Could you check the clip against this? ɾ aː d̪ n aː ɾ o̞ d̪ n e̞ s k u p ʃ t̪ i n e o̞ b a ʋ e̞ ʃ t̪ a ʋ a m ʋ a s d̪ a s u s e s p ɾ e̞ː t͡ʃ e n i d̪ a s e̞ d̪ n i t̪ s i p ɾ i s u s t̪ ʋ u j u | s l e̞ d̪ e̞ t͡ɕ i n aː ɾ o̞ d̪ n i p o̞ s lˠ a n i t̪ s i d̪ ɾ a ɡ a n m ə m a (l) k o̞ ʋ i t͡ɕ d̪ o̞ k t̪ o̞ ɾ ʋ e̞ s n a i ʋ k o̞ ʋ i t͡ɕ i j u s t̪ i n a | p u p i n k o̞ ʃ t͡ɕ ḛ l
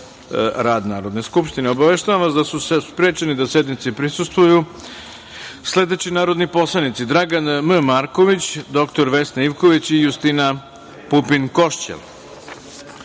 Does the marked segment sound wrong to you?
yes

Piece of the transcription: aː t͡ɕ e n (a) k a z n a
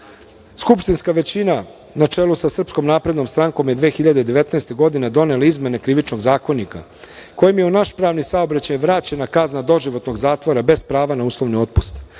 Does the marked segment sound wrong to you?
no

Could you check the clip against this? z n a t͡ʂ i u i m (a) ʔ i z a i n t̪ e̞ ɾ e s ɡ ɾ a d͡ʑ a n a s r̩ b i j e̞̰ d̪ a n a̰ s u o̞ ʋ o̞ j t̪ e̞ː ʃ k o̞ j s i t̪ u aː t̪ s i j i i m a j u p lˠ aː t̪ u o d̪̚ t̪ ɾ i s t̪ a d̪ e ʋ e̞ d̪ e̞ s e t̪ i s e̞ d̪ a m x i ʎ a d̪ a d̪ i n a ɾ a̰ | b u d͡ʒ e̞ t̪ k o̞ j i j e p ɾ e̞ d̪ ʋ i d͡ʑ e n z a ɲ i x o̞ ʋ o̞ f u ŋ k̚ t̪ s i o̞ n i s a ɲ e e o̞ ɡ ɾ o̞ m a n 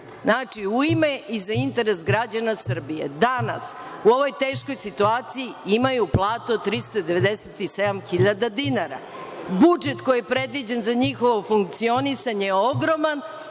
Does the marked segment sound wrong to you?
yes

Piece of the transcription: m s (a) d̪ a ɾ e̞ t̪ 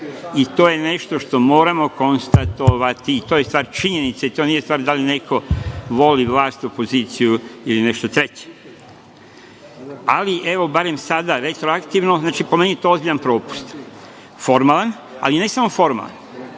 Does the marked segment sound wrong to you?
no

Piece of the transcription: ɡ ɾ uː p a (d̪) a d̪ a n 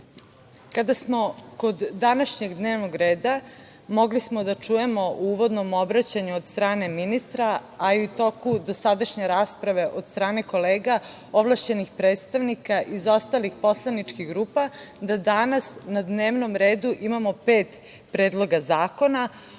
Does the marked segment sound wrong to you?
no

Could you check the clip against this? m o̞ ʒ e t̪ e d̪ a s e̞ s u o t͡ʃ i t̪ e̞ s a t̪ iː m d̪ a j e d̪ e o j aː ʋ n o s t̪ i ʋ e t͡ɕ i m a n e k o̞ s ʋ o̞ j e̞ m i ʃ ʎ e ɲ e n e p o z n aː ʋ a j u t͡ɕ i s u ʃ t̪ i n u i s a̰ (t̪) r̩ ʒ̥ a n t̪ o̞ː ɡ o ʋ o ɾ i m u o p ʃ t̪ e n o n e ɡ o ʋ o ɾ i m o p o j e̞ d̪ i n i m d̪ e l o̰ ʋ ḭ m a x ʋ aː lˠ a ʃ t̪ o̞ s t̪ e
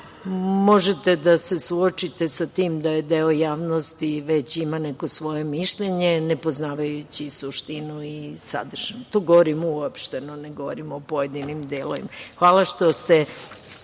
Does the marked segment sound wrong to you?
yes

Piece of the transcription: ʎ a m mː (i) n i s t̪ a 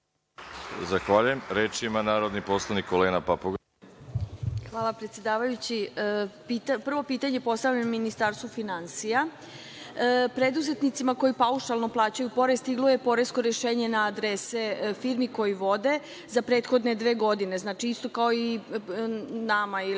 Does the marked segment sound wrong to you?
no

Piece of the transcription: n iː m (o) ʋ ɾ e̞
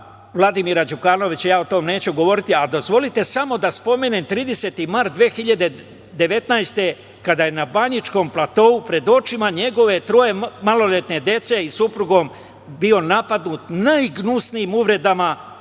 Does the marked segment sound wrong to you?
yes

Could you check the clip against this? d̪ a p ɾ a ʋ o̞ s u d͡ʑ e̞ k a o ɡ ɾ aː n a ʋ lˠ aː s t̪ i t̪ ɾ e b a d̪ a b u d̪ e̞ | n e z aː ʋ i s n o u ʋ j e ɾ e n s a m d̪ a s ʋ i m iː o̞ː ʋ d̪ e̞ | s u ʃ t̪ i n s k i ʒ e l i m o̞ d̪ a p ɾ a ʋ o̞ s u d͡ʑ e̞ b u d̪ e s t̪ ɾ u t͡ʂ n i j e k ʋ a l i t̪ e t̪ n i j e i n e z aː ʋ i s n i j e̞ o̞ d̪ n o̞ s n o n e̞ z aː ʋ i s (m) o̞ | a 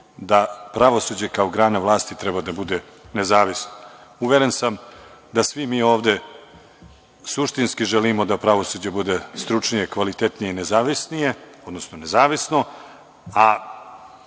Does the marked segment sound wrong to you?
yes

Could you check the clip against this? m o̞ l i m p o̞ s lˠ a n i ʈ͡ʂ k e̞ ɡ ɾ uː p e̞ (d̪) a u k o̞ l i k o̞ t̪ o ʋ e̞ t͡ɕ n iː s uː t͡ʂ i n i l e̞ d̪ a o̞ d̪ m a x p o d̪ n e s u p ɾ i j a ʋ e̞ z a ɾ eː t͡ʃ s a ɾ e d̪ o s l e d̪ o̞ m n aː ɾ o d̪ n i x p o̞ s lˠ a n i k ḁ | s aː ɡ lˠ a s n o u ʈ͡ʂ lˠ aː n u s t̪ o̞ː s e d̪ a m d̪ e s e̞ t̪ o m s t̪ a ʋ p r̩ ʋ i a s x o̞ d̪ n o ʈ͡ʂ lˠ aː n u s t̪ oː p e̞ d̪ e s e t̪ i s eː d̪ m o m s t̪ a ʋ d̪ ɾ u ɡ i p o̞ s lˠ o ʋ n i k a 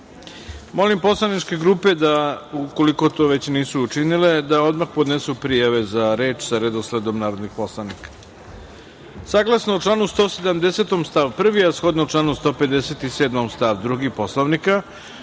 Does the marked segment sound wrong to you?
no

